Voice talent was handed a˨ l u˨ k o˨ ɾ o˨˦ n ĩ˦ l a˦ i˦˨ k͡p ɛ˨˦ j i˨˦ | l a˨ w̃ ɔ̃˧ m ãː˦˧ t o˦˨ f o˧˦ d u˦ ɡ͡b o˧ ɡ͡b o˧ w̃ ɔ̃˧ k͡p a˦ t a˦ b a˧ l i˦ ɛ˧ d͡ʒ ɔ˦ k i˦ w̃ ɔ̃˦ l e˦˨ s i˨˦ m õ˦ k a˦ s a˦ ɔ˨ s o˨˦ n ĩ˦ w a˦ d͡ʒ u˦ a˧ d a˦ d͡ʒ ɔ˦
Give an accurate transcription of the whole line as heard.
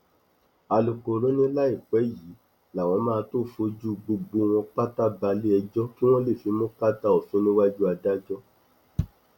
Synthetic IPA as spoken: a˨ l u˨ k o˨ ɾ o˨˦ n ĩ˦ l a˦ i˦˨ k͡p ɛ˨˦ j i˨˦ | l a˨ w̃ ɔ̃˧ m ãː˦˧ t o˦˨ f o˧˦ d͡ʒ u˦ ɡ͡b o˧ ɡ͡b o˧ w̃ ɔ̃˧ k͡p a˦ t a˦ b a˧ l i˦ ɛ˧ d͡ʒ ɔ˦ k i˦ w̃ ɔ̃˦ l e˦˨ f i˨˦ m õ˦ k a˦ t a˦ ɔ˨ s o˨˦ n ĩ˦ w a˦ d͡ʒ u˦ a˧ d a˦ d͡ʒ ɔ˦